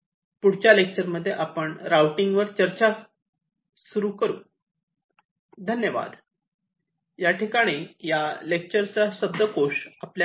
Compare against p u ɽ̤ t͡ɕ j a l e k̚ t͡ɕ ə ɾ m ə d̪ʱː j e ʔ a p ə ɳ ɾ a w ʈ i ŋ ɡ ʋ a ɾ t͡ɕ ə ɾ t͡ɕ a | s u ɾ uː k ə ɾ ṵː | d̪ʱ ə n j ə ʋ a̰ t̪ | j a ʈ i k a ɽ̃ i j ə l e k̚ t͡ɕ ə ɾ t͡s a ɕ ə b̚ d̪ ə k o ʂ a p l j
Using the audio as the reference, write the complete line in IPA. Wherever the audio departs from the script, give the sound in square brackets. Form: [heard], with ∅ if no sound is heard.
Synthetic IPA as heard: p u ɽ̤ t͡ɕ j a l e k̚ t͡ɕ ə ɾ m ə d̪ʱː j e ʔ a p ə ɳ ɾ a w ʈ i ŋ ɡ ʋ [ə] ɾ t͡ɕ ə ɾ t͡ɕ a | s u ɾ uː k ə ɾ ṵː | d̪ʱ ə n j ə ʋ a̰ [d̪] | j a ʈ i k a ɽ̃ i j [a] l e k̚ t͡ɕ ə ɾ t͡s a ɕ ə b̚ d̪ ə k o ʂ a p l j

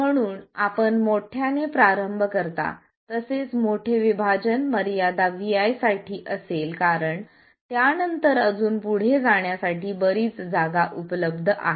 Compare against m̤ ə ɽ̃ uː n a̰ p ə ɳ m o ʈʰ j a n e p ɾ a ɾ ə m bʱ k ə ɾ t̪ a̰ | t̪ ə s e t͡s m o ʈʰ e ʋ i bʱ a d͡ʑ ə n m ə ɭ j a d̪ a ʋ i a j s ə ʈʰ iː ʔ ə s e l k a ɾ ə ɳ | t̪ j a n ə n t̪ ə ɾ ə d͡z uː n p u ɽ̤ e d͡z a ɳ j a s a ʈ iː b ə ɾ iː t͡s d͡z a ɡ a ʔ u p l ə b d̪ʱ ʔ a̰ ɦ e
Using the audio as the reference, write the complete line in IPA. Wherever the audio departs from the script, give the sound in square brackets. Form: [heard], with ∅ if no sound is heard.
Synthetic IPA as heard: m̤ ə ɽ̃ uː n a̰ p ə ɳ m o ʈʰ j a n e p ɾ a ɾ ə m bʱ k ə ɾ t̪ a̰ | t̪ ə s e t͡s m o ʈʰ e ʋ i bʱ a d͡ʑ ə n m ə [ɾ] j a d̪ a ʋ i a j s [a] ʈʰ iː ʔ ə s e l k a ɾ ə ɳ | t̪ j a n ə n t̪ ə ɾ ə d͡z uː n p u ɽ̤ e d͡z a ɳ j a s a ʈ iː b ə ɾ iː t͡s d͡z a ɡ a ʔ u p l ə b d̪ʱ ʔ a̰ ɦ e

